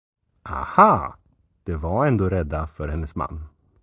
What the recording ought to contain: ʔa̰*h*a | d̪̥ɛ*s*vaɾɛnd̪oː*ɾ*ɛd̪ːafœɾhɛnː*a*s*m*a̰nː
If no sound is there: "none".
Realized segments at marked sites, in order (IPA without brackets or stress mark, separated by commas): h, none, ɾ, ə, m